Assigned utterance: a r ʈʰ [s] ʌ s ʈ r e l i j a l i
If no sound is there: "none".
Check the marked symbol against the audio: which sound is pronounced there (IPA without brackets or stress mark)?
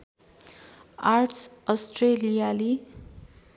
s